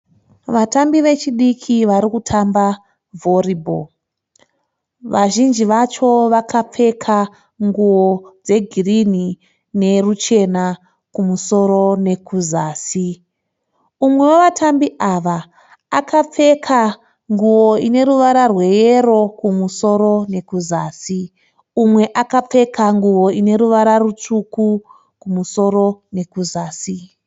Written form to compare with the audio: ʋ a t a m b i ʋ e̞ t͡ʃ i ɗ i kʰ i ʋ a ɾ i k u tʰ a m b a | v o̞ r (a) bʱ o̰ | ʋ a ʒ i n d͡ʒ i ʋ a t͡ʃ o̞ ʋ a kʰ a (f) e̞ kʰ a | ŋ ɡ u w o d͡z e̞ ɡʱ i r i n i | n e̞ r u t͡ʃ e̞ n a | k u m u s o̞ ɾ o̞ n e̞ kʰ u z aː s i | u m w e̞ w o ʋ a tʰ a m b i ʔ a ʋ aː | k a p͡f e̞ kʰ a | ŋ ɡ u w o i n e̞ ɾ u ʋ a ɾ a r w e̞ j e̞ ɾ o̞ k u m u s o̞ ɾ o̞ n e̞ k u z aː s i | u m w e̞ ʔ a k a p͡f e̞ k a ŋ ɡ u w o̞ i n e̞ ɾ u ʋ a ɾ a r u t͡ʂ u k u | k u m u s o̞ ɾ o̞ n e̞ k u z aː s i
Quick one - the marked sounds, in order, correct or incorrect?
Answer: incorrect: i, incorrect: p͡f

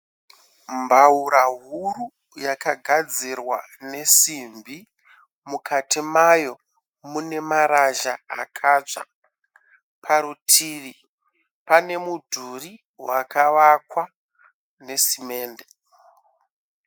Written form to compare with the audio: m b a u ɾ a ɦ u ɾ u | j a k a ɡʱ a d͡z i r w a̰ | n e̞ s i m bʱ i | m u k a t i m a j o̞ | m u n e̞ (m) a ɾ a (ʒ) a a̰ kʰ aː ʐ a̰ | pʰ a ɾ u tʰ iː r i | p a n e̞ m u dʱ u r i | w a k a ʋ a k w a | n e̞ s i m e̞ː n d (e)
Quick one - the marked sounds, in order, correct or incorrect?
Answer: correct, correct, correct

